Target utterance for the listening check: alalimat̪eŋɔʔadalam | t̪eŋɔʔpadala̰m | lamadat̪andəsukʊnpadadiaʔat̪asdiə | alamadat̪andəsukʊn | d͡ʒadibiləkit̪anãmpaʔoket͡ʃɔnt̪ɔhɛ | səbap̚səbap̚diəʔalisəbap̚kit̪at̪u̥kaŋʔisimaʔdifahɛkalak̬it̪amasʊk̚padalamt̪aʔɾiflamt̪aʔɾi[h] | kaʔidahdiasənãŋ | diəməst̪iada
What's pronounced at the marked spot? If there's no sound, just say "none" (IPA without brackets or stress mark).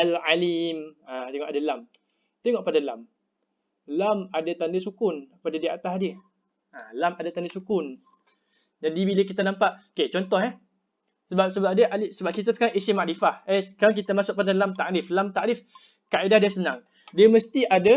f